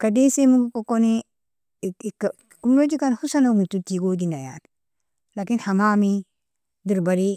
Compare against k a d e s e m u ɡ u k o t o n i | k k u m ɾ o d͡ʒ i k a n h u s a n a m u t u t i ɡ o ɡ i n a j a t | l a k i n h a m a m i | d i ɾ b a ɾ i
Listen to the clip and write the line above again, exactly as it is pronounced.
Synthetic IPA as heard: k a d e s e m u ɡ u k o k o n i | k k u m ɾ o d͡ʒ i k a n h u s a n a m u t u t i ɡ o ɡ i n a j a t | l a k i n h a m a m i | d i ɾ b a ɾ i